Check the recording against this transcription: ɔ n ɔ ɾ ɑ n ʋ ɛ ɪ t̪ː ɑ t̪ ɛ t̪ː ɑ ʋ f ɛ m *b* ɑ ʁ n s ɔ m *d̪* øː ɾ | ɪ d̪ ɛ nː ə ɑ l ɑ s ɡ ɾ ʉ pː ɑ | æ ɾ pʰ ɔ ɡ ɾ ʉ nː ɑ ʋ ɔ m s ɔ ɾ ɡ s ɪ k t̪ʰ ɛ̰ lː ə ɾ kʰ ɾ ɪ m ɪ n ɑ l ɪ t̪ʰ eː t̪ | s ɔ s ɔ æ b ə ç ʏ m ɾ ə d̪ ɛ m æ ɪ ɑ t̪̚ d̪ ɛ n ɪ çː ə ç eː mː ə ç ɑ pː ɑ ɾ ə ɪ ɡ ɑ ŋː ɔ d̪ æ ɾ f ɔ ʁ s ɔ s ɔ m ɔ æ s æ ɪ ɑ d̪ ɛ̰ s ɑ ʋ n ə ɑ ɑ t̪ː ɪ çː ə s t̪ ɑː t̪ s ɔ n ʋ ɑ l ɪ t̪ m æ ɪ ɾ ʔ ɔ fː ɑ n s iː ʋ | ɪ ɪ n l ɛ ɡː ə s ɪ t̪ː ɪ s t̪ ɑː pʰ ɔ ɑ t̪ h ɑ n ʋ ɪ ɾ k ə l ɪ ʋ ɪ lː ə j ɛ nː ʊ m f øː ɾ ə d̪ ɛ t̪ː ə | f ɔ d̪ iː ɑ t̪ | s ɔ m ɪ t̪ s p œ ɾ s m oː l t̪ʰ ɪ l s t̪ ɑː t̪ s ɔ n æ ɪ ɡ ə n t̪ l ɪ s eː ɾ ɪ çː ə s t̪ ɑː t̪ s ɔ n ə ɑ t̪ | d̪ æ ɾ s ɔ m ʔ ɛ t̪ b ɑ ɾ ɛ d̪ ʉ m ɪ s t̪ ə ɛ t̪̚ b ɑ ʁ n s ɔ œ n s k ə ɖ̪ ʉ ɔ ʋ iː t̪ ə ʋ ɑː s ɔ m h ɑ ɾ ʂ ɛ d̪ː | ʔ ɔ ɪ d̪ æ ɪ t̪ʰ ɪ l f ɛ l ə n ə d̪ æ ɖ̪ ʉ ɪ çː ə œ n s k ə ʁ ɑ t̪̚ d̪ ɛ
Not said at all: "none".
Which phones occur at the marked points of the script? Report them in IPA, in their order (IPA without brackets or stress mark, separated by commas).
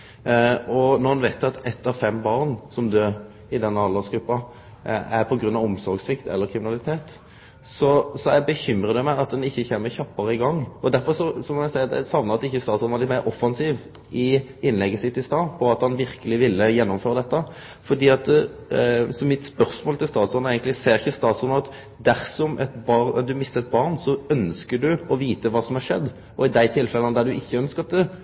b, d̪